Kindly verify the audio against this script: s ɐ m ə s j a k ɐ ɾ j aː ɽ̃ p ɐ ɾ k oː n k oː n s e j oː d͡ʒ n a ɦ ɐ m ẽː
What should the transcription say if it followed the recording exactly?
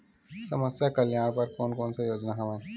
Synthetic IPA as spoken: s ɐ m ə s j a k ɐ l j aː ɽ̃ p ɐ ɾ k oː n k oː n s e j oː d͡ʒ n a ɦ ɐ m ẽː